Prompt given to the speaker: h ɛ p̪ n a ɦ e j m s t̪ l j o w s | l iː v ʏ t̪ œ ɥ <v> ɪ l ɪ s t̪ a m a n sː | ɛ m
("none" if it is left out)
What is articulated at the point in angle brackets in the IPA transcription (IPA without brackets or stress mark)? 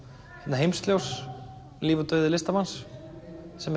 ð